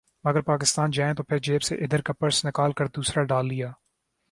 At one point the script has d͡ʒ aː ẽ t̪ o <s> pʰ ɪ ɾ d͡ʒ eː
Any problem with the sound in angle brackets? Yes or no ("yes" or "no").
yes